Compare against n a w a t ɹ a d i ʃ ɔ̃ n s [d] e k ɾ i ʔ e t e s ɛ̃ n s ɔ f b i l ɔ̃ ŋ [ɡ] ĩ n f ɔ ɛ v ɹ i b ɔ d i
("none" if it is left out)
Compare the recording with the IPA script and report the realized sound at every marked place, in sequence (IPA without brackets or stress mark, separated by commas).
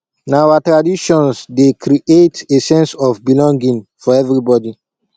d, ɡ